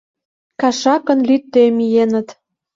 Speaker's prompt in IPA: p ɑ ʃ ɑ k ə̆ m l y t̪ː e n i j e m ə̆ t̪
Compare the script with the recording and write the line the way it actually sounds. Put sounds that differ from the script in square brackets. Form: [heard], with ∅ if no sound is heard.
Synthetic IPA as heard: [k] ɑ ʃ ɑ k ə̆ [n] l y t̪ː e [m] i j e [n] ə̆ t̪